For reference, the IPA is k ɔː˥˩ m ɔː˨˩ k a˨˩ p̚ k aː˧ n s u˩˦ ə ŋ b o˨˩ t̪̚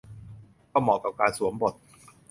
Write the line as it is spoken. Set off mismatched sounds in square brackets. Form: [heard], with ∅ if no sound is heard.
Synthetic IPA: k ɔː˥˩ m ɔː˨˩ k a˨˩ p̚ k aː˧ n s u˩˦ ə [m] b o˨˩ t̪̚